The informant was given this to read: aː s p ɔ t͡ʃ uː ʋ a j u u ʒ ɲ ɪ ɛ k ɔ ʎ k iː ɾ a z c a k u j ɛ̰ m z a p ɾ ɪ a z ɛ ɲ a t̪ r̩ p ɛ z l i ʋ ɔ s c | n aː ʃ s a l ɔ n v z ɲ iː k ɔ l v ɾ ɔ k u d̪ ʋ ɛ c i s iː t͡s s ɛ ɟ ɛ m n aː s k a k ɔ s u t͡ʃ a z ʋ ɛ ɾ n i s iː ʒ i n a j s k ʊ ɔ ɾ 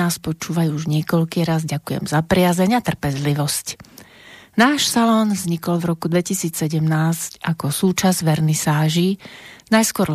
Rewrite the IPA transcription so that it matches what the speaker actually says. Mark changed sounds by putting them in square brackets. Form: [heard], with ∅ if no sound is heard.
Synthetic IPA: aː s p ɔ t͡ʃ uː ʋ a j u u ʒ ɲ ɪ ɛ k ɔ ʎ k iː ɾ a z [ɟ] a k u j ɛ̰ m z a p ɾ ɪ a z ɛ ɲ a t̪ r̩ p ɛ z l i ʋ ɔ s c | n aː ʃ s a l ɔ n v z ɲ [i] k ɔ l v ɾ ɔ k u d̪ ʋ ɛ c i s iː t͡s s ɛ ɟ ɛ m n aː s [c] a k ɔ s [uː] t͡ʃ a z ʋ ɛ ɾ n i s [aː] ʒ i n a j s k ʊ ɔ ɾ